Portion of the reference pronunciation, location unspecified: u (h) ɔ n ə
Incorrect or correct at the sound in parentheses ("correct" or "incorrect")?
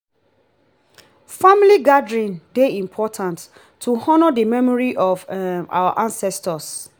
correct